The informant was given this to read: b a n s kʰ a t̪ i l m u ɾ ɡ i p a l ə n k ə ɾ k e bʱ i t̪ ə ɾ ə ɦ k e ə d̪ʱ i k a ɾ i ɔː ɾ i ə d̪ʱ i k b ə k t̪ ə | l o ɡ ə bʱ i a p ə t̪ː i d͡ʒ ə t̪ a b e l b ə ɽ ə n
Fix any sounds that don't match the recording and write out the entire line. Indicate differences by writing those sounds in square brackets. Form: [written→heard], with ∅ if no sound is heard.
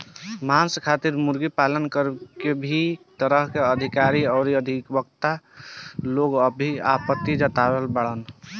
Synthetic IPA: [b→m] a n s kʰ a t̪ i [l→ɾ] m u ɾ ɡ i p a l ə n k ə ɾ k e bʱ i t̪ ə ɾ ə ɦ k e ə d̪ʱ i k a ɾ i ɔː ɾ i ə d̪ʱ i k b ə k t̪ [ə→a] | l o ɡ ə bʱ i a p ə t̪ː i d͡ʒ ə t̪ a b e l b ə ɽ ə n